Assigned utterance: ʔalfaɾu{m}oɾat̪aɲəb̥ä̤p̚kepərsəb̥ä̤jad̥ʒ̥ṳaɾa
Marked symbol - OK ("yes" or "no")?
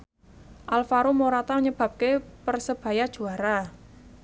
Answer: yes